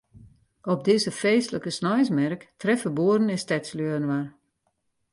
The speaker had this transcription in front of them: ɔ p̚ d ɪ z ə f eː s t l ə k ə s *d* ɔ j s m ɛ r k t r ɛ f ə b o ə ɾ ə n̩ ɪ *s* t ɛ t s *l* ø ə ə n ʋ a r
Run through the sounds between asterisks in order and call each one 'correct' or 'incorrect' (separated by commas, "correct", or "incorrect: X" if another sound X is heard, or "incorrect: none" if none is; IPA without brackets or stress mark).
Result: incorrect: n, correct, correct